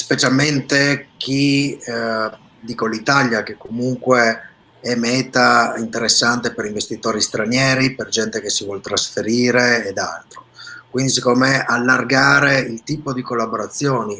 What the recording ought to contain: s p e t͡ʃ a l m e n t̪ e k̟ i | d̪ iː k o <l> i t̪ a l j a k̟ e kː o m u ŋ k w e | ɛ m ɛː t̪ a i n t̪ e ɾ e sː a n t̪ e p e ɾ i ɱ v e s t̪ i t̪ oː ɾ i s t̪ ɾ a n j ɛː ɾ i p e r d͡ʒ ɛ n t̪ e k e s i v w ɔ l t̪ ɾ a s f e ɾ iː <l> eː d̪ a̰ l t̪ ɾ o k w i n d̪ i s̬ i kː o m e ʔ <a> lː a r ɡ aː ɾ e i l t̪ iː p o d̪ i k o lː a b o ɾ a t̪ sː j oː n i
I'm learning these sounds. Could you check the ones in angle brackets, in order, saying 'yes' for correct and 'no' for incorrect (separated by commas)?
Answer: yes, no, yes